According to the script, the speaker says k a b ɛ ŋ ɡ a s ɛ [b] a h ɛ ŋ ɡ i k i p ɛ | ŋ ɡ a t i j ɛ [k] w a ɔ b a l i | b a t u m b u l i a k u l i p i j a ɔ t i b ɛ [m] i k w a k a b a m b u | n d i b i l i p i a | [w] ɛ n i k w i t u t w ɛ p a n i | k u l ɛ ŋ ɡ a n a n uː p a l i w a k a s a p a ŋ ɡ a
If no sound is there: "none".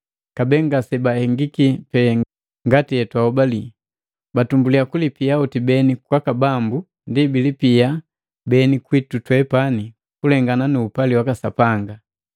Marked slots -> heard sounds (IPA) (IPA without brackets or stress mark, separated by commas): b, t, n, b